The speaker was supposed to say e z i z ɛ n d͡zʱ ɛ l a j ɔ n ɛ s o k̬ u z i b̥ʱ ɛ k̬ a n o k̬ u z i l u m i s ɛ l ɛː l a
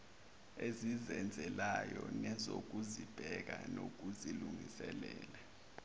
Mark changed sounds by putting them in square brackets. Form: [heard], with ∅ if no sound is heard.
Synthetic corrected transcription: e z i z ɛ n d͡zʱ ɛ l a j ɔ n ɛ [z] o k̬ u z i b̥ʱ ɛ k̬ a n o k̬ u z i l u [ŋ] i s ɛ l ɛː l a